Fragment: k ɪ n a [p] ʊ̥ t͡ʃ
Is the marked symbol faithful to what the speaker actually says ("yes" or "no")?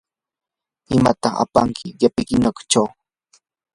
no